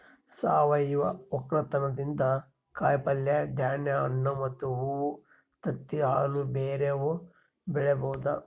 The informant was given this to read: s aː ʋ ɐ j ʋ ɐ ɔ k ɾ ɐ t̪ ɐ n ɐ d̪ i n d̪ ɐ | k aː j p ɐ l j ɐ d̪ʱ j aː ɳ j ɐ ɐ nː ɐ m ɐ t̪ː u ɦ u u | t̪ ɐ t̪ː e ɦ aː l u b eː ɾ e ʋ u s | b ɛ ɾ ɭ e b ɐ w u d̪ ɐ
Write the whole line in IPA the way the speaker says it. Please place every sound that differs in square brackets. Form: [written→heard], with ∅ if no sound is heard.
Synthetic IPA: s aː ʋ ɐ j ʋ ɐ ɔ k ɾ ɐ t̪ ɐ n ɐ d̪ i n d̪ ɐ | k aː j p ɐ l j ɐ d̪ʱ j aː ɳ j ɐ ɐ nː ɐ m ɐ t̪ː u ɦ u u | t̪ ɐ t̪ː [e→i] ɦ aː l u b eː ɾ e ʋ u [s→∅] | b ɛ [ɾ→∅] ɭ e b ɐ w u d̪ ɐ